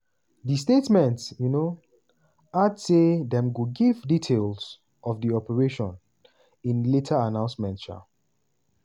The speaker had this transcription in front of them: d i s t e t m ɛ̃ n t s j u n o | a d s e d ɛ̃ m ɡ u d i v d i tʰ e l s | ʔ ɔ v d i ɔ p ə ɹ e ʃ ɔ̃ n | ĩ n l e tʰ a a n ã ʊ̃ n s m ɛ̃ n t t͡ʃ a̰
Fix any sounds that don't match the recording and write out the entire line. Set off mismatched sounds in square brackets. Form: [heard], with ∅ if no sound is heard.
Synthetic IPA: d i s t e t m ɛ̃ n t s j u n o | a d s e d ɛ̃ m ɡ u [ɡ] i v d i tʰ e l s | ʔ ɔ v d i ɔ p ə ɹ e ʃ ɔ̃ n | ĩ n l e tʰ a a n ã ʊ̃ n s m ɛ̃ n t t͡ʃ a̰